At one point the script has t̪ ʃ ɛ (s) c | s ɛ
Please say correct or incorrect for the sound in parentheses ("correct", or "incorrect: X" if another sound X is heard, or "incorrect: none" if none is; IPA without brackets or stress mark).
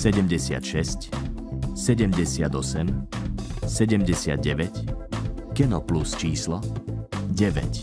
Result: correct